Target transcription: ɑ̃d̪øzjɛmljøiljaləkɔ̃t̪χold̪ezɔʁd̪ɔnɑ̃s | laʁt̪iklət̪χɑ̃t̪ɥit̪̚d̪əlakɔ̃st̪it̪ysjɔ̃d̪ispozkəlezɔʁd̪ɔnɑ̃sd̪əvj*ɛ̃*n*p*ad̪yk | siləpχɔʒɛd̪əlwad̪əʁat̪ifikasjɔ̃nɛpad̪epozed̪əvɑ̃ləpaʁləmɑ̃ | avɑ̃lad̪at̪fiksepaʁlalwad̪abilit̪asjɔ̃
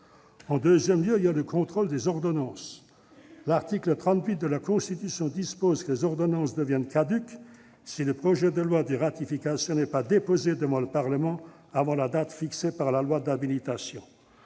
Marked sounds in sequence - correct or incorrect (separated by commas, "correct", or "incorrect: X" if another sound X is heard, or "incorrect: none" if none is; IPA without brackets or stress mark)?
incorrect: ɛ, incorrect: k